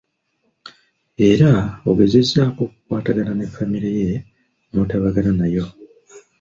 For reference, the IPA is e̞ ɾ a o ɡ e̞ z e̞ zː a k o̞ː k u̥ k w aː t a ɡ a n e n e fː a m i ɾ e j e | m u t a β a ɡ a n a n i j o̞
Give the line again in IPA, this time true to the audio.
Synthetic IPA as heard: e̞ ɾ a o ɡ e̞ z e̞ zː a k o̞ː k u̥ k w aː t a ɡ a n a n e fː a m i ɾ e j e | m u t a β a ɡ a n a n a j o̞